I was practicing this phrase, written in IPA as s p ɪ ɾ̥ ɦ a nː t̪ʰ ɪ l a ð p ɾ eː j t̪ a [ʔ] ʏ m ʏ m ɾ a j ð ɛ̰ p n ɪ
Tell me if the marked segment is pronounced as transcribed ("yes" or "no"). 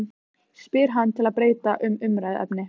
yes